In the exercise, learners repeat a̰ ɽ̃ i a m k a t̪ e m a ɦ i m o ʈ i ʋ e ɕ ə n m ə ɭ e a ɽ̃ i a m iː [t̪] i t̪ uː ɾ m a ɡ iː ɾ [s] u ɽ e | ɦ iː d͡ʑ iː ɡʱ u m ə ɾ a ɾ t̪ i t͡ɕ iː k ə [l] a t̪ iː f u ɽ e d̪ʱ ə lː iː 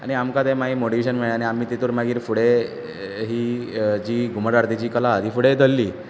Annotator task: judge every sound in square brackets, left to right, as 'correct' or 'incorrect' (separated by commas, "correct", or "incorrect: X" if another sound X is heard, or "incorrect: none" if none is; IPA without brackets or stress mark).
correct, incorrect: f, correct